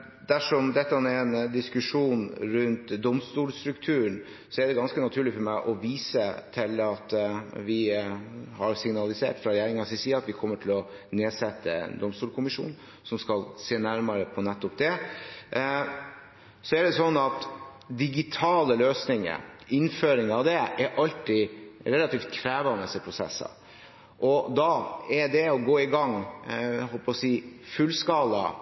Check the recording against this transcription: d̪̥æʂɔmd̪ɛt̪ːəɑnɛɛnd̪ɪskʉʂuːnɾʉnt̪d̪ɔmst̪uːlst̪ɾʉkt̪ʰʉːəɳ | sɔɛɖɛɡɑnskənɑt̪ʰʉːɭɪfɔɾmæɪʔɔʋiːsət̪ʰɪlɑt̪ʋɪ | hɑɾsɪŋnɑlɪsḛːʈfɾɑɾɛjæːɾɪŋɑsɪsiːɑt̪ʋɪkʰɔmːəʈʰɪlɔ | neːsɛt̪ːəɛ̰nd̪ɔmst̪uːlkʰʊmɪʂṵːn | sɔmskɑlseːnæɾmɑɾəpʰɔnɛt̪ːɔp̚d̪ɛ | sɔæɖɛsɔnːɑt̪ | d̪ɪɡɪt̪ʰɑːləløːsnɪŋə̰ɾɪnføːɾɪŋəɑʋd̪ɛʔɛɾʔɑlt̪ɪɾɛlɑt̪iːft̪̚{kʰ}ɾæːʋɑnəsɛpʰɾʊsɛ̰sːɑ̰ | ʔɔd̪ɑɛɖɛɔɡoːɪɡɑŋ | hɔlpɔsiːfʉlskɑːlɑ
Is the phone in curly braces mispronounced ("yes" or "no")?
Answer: no